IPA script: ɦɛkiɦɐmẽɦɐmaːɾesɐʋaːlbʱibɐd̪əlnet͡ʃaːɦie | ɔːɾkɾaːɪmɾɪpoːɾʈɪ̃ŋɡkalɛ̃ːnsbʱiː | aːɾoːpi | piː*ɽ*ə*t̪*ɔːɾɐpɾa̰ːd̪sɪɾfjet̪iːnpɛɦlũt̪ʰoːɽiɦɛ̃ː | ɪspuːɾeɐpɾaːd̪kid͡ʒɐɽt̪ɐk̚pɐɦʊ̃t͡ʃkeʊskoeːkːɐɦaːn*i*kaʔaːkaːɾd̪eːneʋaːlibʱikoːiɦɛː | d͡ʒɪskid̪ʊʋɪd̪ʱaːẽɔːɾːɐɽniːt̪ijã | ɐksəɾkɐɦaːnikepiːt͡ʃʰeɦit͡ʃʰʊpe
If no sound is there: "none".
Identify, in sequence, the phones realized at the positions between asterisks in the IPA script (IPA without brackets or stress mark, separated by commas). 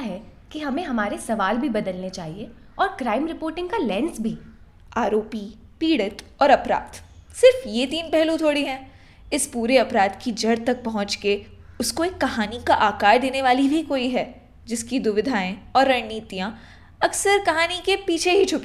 ɽ, t̪, i